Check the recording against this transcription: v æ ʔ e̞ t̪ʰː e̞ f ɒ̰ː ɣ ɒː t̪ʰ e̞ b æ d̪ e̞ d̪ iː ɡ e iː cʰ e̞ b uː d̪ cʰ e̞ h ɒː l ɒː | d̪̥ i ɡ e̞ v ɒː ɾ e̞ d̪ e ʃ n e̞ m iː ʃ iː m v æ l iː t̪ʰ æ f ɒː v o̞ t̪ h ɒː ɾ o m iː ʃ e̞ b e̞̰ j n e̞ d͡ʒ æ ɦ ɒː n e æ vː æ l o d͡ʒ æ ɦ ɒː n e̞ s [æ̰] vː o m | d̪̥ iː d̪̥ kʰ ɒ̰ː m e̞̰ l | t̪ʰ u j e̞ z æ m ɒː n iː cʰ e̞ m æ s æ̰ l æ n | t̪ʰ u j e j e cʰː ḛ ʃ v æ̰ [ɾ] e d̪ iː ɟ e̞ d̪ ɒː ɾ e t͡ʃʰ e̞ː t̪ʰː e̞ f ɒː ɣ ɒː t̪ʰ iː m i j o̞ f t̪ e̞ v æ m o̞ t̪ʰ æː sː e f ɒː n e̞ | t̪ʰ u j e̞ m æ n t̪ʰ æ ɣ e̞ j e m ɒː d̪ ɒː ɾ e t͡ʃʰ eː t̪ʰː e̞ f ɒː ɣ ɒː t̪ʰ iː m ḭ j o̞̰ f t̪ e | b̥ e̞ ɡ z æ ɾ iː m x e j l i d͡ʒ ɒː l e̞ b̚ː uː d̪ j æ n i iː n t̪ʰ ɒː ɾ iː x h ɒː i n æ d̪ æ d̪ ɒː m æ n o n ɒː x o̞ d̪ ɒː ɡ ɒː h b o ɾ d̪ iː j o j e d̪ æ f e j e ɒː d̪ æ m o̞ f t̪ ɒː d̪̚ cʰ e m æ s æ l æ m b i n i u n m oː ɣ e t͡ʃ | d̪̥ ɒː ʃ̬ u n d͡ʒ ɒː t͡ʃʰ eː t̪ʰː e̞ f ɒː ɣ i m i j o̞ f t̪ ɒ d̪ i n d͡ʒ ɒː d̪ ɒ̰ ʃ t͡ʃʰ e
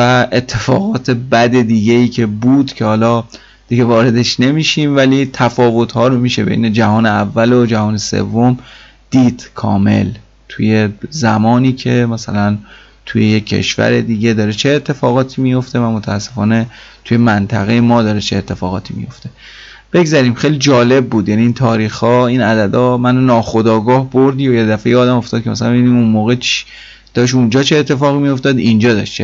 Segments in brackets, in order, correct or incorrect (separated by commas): incorrect, correct